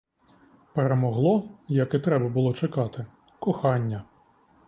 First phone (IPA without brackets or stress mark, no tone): p